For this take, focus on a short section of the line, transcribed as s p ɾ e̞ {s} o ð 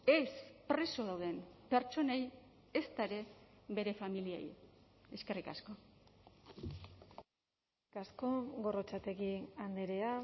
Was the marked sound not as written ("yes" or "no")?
no